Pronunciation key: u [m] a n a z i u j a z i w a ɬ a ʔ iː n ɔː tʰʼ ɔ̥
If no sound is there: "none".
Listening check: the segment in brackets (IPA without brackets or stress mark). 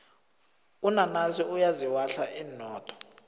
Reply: n